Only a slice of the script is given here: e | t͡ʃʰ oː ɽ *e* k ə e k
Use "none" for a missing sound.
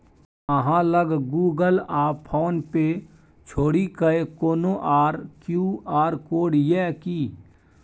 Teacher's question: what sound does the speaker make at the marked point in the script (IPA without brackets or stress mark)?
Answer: i